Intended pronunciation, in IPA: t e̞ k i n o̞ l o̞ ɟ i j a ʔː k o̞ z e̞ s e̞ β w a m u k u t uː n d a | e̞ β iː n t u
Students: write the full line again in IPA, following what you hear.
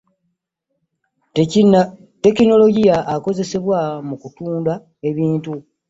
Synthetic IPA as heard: t e̞ k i n o̞ l o̞ ɟ i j a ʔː k o̞ z e̞ s e̞ β w a m u k u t uː n d a | e̞ β iː n t u